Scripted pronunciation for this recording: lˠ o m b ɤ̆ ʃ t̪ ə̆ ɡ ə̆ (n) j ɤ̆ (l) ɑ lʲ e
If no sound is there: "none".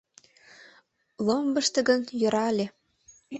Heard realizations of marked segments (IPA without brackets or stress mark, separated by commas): n, ɾ